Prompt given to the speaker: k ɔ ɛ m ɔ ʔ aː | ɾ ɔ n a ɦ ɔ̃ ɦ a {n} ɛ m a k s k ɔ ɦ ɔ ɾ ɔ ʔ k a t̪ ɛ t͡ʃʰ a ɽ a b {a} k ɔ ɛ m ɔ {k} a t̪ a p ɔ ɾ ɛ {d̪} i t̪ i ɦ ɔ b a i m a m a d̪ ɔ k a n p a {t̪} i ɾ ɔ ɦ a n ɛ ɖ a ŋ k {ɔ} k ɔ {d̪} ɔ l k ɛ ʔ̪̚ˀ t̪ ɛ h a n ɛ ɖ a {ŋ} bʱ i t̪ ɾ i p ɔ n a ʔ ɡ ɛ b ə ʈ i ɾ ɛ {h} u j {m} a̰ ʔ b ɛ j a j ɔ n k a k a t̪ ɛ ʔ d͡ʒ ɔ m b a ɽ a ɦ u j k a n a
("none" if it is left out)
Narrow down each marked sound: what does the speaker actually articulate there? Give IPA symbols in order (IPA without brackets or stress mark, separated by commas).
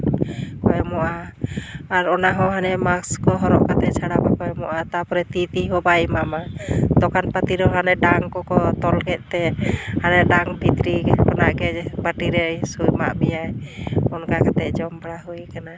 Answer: n, a, ʔ, t̪, t̪, ɔ, t̪, ŋ, s, m